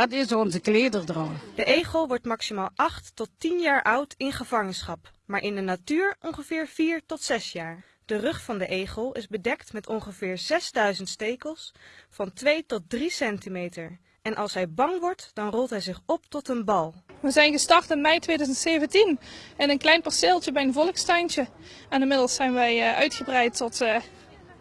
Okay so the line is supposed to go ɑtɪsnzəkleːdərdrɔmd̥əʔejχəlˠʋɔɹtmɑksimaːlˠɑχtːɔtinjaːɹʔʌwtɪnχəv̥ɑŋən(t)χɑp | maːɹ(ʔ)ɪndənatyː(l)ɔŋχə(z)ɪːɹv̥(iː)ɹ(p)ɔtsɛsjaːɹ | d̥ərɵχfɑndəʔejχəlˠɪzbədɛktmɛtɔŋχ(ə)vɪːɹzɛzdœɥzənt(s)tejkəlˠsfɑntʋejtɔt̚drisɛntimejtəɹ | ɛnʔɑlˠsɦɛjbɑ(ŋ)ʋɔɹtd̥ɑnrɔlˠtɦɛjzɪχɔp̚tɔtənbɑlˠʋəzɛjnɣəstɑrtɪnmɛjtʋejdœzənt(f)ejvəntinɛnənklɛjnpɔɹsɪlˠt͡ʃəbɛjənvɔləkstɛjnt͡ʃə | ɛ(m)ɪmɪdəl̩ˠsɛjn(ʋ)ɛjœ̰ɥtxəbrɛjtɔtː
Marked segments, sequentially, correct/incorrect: incorrect, correct, incorrect, incorrect, correct, incorrect, correct, correct, correct, incorrect, incorrect, correct

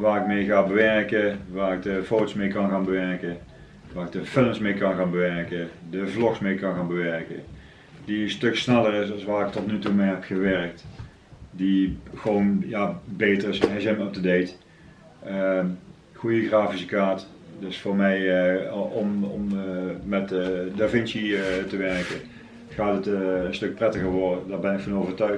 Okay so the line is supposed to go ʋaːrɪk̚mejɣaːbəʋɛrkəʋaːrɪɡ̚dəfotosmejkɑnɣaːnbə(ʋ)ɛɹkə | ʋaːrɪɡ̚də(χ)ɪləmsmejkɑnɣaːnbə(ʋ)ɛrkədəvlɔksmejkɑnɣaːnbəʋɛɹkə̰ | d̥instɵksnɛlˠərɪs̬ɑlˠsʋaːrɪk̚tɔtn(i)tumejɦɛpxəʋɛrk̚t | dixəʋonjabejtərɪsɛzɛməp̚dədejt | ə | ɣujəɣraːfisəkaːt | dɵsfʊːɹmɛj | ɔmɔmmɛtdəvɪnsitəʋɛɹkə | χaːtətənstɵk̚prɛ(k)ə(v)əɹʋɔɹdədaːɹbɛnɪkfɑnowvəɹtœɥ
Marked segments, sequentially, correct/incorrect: correct, incorrect, correct, incorrect, incorrect, incorrect

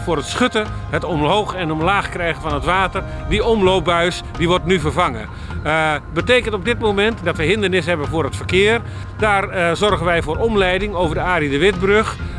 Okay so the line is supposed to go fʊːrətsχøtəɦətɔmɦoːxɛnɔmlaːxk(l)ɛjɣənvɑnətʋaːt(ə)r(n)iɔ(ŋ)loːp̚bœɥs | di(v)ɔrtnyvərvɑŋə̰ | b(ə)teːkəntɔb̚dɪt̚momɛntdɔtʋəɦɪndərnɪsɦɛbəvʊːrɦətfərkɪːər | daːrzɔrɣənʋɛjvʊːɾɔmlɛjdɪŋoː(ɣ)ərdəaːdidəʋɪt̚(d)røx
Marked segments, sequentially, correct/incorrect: incorrect, correct, incorrect, incorrect, incorrect, correct, incorrect, incorrect

